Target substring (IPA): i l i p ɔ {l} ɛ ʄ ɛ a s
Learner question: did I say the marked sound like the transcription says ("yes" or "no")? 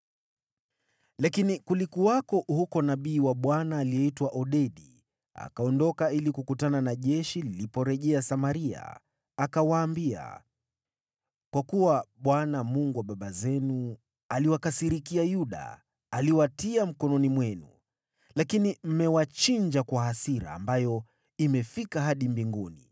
no